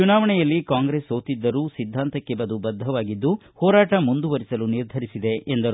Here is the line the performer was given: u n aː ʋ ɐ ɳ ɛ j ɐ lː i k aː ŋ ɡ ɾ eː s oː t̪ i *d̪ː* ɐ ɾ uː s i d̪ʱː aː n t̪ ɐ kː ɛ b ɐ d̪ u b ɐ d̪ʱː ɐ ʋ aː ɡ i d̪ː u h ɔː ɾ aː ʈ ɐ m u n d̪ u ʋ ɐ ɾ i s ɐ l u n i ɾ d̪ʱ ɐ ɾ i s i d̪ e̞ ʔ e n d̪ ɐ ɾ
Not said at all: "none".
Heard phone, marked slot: d̪ː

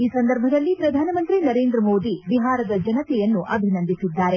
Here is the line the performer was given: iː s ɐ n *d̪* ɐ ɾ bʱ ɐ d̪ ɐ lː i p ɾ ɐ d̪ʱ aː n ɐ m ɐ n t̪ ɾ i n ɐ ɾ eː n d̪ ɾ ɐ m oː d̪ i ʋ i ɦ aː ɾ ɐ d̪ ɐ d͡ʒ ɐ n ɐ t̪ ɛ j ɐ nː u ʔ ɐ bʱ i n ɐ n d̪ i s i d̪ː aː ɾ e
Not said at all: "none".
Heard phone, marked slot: d̪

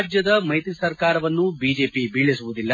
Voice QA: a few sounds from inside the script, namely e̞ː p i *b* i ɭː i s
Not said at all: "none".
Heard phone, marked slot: b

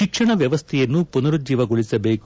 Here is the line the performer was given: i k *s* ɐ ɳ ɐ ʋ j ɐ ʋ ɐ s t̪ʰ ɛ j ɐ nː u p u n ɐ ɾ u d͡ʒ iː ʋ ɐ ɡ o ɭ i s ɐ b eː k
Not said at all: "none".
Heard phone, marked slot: ʂ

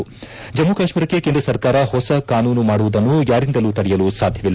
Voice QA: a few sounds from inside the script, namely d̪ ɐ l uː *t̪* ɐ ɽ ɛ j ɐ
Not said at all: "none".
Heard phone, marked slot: t̪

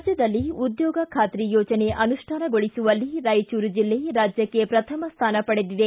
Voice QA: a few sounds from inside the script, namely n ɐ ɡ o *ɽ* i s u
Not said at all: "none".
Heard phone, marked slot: ɭ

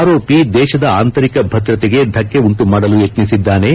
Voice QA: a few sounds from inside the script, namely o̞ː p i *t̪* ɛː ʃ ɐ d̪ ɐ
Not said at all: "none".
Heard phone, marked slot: d̪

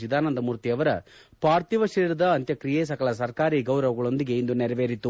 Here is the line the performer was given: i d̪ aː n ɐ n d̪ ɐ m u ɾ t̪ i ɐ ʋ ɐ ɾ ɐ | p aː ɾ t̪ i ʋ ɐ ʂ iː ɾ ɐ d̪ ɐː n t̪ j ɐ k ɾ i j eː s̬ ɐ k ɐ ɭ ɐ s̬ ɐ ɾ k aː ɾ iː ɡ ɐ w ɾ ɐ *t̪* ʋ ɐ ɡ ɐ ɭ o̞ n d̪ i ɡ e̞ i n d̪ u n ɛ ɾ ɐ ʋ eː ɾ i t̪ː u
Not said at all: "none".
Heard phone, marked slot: none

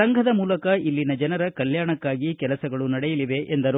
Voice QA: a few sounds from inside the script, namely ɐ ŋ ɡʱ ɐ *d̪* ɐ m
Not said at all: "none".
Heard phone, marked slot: d̪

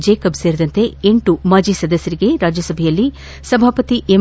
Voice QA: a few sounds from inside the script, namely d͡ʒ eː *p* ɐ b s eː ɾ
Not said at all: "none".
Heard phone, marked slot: k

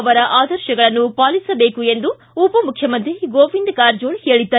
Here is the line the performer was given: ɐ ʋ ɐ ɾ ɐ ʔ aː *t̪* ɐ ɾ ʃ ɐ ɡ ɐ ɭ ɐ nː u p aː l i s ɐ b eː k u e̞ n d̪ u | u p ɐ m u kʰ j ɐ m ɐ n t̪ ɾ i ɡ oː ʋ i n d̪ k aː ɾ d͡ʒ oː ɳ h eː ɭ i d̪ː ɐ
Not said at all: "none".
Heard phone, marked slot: d̪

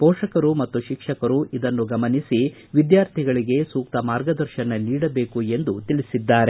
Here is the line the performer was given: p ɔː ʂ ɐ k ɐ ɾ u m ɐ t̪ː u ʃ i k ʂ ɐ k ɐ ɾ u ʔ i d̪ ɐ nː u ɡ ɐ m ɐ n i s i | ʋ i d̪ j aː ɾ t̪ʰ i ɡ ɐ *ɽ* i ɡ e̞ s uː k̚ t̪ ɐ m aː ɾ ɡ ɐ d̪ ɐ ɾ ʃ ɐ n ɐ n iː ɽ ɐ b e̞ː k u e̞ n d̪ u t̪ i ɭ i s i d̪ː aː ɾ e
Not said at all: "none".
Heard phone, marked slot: ɭ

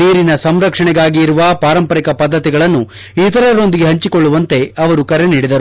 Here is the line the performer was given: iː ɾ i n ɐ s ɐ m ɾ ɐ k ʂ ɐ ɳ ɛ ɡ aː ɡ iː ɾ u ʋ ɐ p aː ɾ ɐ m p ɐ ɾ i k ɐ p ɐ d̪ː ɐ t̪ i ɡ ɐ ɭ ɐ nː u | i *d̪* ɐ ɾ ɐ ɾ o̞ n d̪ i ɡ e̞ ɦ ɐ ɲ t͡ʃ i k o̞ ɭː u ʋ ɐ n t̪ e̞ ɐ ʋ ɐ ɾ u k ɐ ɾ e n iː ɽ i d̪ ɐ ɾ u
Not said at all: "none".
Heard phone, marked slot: t̪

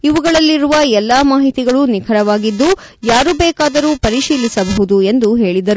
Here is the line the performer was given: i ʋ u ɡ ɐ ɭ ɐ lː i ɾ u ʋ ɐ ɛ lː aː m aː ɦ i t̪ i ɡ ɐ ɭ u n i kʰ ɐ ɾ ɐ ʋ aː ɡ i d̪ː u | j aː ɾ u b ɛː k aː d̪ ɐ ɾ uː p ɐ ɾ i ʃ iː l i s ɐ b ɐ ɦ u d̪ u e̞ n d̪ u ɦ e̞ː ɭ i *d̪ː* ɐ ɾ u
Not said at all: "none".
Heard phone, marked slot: d̪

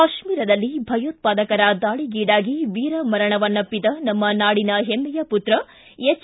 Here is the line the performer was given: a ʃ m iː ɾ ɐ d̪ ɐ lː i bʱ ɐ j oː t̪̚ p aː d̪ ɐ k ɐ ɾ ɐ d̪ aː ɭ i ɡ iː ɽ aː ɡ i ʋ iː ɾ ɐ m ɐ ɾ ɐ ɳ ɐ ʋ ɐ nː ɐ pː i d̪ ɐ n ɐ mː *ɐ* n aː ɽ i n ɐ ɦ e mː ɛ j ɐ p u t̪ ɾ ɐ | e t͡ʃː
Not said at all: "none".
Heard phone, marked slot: ɐ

